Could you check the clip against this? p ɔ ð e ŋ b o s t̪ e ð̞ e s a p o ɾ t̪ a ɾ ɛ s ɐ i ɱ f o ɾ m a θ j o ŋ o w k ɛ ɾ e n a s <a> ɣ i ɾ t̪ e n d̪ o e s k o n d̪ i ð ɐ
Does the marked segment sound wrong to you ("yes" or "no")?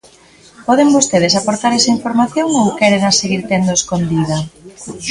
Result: yes